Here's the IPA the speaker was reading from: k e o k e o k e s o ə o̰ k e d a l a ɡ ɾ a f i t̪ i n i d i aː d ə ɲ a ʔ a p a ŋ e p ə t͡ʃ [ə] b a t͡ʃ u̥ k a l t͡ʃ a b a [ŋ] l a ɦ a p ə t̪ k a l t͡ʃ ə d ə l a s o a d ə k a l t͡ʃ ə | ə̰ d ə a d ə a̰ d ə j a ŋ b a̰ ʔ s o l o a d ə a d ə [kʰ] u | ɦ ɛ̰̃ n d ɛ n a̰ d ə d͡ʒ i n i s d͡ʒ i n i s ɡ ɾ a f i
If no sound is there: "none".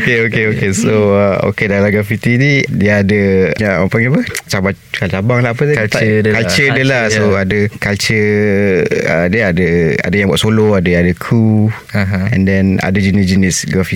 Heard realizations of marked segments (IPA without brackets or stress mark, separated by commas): a, ŋ, kʰ